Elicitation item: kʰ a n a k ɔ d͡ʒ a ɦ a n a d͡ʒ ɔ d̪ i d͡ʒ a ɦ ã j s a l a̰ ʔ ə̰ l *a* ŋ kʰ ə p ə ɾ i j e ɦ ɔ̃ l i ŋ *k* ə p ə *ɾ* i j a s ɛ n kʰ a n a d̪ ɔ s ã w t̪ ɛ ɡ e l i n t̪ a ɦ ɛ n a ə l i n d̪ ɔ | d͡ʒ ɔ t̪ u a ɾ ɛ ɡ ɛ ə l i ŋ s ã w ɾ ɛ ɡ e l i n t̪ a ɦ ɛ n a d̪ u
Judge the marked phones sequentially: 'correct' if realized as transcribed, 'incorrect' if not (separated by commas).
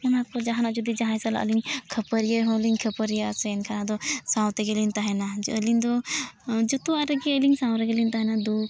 incorrect, incorrect, correct